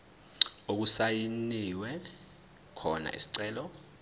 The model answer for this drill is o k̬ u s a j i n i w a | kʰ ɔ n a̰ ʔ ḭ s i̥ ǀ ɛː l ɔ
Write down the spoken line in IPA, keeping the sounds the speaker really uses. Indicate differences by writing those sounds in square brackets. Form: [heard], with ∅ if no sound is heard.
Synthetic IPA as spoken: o k̬ u s a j i n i w [ɛ] | kʰ ɔ n a̰ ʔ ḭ s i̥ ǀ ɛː l ɔ